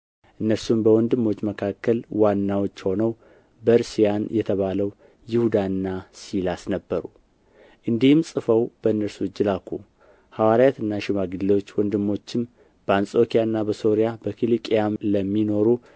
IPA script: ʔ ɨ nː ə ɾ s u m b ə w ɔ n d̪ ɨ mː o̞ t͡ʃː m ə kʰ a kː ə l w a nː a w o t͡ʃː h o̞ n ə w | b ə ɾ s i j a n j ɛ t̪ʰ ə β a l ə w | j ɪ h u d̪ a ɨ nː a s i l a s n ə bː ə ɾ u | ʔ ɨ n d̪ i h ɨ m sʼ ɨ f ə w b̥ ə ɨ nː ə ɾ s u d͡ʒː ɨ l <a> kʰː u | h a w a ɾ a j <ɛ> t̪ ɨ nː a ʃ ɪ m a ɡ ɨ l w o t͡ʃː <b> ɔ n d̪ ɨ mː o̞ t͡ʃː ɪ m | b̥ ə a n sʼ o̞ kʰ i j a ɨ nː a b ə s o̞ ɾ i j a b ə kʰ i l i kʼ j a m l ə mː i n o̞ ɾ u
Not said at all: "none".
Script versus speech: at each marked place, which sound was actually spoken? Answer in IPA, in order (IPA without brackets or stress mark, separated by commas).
a, a, w